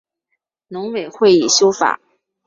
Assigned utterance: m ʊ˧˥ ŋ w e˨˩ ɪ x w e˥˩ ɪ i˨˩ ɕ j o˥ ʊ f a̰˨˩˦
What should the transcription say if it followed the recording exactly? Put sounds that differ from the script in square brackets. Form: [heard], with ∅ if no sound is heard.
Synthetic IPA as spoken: [n] ʊ˧˥ ŋ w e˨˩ ɪ x w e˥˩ ɪ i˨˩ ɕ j o˥ ʊ f a̰˨˩˦